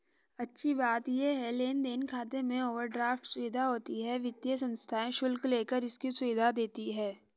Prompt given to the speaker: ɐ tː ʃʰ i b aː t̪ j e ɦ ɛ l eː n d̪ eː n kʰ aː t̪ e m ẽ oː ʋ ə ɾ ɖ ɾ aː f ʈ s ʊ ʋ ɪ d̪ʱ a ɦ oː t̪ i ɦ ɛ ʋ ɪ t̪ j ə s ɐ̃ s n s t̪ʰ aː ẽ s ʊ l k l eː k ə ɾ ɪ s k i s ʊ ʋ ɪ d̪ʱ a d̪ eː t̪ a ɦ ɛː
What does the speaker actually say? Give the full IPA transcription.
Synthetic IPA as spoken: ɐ tː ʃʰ i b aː t̪ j e ɦ ɛ l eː n d̪ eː n kʰ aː t̪ e m ẽ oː ʋ ə ɾ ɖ ɾ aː f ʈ s ʊ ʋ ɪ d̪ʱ a ɦ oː t̪ i ɦ ɛ ʋ ɪ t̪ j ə s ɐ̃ n s t̪ʰ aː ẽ ʃ ʊ l k l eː k ə ɾ ɪ s k i s ʊ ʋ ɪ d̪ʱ a d̪ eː t̪ i ɦ ɛː

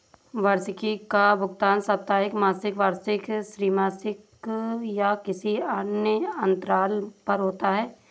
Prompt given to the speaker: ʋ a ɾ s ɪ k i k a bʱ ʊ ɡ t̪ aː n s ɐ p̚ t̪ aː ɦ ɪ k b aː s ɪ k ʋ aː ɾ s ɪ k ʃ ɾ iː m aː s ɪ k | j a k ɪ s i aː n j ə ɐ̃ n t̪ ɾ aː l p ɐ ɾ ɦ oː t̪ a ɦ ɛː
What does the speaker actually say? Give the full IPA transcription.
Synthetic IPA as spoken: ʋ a ɾ s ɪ k i k a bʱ ʊ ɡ t̪ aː n s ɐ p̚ t̪ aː ɦ ɪ k m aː s ɪ k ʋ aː ɾ s ɪ k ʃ ɾ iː m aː s ɪ k | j a k ɪ s i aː n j ə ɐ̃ n t̪ ɾ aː l p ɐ ɾ ɦ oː t̪ a ɦ ɛː

